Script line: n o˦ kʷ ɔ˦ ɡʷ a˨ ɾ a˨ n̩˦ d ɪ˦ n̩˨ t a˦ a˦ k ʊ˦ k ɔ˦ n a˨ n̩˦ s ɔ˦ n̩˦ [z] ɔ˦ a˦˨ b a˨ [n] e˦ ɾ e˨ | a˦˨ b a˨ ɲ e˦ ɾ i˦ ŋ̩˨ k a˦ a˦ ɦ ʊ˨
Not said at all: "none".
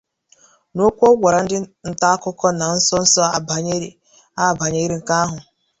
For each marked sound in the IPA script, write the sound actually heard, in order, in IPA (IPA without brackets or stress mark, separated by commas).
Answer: s, ɲ